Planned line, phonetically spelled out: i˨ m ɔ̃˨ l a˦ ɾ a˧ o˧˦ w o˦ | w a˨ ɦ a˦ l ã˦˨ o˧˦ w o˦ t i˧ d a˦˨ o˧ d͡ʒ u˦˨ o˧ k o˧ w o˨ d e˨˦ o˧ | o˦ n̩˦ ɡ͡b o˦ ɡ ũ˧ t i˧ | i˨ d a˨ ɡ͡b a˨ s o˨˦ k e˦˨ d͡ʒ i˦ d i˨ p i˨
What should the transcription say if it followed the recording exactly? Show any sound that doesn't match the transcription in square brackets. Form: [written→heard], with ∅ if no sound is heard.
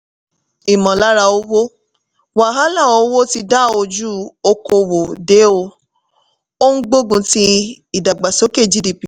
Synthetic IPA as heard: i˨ m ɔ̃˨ l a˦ ɾ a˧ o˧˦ w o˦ | w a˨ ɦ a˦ l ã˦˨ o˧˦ w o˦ t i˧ d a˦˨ o˧ d͡ʒ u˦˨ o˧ k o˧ w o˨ d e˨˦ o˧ | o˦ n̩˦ ɡ͡b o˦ ɡ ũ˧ t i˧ | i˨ d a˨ ɡ͡b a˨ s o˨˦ k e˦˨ d͡ʒ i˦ d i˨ p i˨